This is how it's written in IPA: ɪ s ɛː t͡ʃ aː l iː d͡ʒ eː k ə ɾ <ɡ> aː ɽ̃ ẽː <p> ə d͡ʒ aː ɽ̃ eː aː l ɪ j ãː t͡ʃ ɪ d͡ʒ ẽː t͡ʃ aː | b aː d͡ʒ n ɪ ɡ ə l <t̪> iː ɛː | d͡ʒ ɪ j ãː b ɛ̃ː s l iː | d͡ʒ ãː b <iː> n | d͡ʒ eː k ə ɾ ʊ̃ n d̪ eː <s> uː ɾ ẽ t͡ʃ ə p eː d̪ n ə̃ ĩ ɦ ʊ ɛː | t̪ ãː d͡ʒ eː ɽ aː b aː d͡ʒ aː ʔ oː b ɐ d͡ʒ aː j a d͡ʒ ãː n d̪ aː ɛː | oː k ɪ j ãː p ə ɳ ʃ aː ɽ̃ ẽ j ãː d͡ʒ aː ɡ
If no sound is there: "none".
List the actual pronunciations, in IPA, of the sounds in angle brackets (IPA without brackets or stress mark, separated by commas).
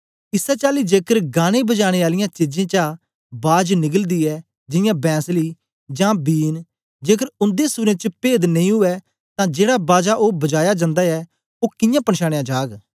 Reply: ɡ, b, d̪, iː, s